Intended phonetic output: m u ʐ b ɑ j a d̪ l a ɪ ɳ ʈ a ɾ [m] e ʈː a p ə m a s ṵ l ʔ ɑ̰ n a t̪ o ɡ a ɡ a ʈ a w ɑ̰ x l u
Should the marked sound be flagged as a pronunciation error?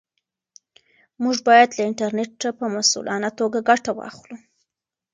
yes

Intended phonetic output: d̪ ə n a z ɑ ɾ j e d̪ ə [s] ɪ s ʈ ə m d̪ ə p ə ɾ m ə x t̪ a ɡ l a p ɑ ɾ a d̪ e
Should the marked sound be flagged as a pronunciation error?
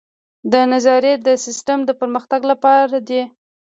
no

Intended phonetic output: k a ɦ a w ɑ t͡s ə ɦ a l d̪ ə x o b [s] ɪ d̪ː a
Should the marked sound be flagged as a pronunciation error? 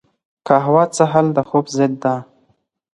yes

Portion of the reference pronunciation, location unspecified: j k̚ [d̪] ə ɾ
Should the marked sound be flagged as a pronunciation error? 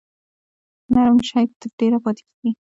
yes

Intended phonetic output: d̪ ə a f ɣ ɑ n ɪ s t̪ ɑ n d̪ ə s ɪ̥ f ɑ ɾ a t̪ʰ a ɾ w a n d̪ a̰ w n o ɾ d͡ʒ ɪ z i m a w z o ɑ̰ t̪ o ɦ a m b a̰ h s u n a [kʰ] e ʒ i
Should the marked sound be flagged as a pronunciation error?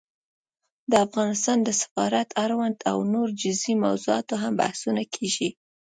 no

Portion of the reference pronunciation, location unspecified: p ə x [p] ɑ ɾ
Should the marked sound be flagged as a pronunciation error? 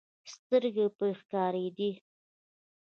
yes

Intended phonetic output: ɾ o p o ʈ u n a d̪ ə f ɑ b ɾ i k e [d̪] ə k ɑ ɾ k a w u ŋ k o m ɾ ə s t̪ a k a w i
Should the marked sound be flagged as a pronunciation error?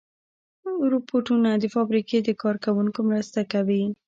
no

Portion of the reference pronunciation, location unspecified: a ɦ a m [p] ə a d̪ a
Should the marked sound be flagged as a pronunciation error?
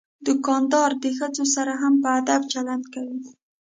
no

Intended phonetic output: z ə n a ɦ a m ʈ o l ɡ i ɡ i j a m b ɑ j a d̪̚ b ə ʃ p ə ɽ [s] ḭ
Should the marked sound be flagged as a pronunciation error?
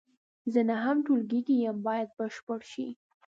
yes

